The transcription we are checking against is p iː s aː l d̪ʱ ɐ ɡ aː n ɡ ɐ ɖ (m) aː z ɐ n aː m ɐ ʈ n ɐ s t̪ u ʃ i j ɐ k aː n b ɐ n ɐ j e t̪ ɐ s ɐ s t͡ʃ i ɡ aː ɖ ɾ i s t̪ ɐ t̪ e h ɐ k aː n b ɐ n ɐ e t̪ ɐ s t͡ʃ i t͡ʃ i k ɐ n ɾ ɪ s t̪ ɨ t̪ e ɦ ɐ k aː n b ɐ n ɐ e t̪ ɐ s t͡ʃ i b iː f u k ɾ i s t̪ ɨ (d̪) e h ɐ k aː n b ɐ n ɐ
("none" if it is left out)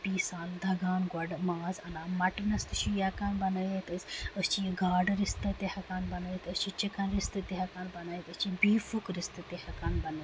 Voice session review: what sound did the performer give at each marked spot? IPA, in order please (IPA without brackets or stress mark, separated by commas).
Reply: m, t̪